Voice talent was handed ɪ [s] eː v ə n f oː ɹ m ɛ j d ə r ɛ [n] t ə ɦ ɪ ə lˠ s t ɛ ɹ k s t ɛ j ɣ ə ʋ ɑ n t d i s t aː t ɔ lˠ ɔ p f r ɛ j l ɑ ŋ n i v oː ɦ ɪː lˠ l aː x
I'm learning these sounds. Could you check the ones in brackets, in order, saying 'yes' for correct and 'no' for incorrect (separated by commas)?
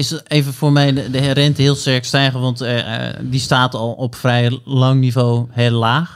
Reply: yes, yes